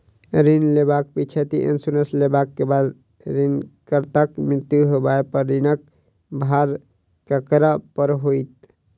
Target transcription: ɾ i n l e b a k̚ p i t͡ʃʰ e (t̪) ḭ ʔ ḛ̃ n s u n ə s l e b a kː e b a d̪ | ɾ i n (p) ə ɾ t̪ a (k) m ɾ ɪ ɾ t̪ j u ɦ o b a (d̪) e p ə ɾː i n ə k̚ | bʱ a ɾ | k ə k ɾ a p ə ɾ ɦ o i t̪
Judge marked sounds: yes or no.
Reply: yes, no, yes, no

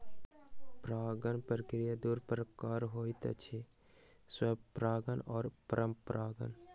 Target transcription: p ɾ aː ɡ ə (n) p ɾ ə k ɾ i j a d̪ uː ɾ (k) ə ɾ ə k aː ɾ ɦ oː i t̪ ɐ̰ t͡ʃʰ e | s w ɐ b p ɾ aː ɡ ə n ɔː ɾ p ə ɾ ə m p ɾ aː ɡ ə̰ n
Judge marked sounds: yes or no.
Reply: yes, no

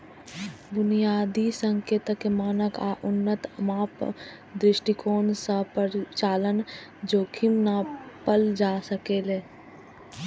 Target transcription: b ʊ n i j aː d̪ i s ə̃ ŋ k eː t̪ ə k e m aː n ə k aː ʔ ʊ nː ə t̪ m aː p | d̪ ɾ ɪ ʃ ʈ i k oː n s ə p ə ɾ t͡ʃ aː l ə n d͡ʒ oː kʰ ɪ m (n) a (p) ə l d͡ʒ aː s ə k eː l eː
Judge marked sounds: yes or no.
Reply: yes, yes

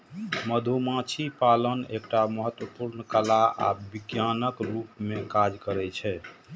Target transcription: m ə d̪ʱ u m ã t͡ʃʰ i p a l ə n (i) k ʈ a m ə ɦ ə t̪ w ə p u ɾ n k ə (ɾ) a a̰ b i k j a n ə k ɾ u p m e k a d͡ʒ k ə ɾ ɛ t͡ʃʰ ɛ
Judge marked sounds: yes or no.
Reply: no, no

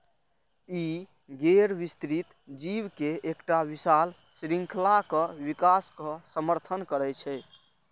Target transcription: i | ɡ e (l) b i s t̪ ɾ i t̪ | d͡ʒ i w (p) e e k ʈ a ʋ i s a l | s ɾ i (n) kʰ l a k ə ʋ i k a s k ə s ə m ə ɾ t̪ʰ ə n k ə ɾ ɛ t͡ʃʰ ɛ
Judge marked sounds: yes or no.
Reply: no, no, no

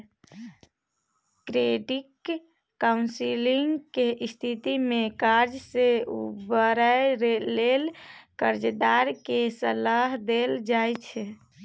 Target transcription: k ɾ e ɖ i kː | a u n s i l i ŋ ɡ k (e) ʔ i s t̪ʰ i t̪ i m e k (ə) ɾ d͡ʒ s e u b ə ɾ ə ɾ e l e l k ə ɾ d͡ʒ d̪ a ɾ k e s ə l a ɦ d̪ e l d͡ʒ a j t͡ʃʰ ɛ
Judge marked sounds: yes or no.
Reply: yes, no

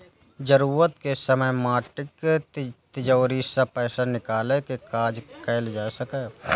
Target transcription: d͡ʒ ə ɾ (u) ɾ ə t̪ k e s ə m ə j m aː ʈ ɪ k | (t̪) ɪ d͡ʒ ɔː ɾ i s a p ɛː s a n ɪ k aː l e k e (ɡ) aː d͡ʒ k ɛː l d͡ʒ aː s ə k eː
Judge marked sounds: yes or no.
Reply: no, yes, no

